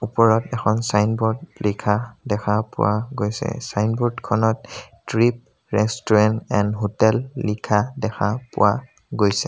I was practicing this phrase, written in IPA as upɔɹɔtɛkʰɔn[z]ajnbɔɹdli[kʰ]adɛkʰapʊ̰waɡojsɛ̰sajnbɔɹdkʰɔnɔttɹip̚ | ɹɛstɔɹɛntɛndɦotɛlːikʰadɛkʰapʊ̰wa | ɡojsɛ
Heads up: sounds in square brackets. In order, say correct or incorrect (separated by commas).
incorrect, correct